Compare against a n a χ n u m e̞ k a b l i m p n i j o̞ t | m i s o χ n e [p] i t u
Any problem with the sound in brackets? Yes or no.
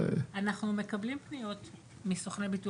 yes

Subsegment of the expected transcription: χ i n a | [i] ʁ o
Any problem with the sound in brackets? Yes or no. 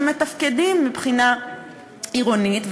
no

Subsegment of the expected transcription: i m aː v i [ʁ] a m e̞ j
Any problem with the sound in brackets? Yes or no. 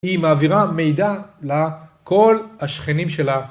no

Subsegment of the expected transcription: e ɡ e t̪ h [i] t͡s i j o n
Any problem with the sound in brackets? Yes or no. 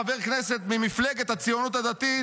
yes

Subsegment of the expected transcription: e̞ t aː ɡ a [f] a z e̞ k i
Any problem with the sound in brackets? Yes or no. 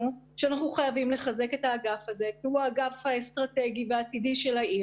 no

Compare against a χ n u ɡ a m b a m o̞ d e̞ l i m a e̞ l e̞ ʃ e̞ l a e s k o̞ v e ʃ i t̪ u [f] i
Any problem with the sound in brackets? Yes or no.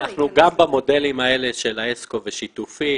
no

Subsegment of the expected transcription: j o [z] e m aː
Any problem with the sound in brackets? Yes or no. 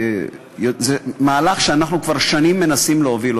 no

